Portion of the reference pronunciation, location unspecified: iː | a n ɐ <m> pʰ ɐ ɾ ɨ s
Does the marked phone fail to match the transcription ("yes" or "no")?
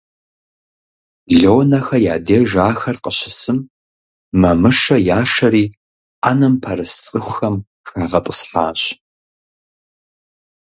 no